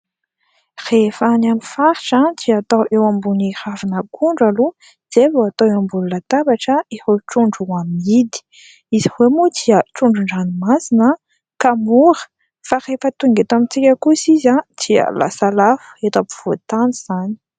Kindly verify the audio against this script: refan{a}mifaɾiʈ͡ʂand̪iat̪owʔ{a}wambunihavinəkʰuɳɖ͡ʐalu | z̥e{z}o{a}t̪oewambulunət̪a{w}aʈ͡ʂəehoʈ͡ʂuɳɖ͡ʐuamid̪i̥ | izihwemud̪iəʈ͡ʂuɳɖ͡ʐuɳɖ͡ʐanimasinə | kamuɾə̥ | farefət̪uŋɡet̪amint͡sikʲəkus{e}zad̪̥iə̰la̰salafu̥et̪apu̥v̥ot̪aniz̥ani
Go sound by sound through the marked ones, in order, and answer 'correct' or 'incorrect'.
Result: correct, incorrect: e, incorrect: v, correct, incorrect: b, incorrect: i

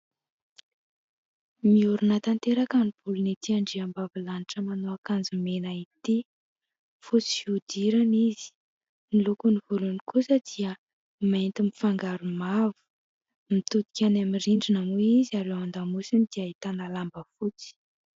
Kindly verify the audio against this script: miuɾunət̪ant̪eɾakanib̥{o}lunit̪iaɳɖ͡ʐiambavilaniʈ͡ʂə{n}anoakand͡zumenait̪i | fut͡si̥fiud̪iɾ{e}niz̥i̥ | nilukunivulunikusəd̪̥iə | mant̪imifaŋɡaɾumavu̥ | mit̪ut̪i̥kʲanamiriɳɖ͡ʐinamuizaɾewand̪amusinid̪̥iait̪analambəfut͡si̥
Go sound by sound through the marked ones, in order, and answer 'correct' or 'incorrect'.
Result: incorrect: u, incorrect: m, incorrect: a

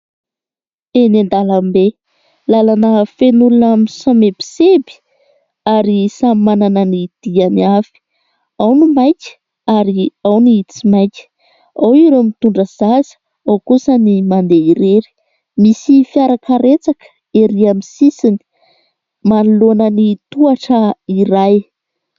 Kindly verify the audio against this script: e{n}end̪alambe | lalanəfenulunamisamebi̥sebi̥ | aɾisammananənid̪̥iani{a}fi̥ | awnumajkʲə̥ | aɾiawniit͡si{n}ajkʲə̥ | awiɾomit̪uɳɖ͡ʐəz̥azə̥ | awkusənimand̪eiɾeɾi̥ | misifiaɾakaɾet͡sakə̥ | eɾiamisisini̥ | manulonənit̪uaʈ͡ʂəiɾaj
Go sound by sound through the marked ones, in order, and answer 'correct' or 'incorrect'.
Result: correct, correct, incorrect: m

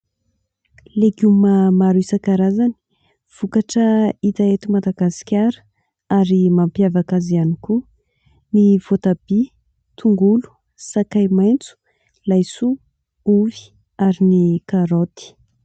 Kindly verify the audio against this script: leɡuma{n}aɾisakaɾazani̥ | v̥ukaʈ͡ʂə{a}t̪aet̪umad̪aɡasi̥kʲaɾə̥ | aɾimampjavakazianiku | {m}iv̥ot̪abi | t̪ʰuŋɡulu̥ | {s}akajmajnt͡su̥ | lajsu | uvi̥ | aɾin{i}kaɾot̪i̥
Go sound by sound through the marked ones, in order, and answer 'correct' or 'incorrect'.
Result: incorrect: m, incorrect: i, incorrect: n, correct, correct

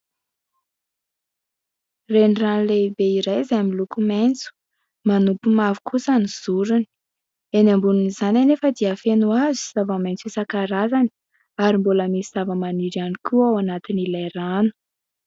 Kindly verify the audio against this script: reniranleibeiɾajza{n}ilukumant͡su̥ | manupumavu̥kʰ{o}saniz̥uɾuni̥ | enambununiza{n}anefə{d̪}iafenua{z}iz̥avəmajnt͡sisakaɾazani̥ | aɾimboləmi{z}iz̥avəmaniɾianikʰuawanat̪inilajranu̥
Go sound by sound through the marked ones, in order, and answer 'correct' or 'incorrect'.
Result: incorrect: m, incorrect: u, correct, correct, correct, incorrect: s

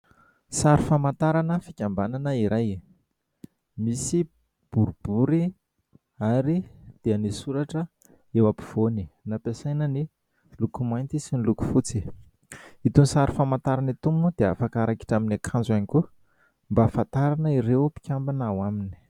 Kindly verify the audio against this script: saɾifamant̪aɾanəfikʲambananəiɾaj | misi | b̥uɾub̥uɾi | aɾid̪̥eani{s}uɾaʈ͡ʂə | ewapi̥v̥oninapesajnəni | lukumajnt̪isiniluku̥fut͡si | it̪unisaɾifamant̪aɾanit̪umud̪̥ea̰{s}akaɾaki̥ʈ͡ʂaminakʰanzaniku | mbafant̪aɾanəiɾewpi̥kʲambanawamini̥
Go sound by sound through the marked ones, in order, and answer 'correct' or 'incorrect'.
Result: correct, incorrect: f

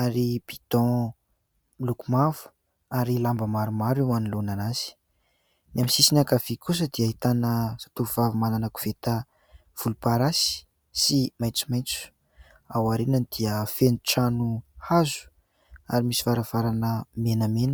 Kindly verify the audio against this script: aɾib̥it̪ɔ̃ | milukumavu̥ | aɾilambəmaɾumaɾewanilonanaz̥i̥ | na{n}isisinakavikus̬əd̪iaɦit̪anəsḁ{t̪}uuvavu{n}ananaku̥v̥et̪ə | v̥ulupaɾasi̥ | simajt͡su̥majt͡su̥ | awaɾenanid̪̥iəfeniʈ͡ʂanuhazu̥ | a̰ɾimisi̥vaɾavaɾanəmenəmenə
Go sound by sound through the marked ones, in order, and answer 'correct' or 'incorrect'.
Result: incorrect: m, correct, incorrect: m

